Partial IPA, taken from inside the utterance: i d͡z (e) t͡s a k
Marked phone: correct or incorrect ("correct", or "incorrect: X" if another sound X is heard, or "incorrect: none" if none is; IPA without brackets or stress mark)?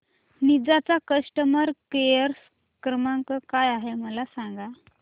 incorrect: a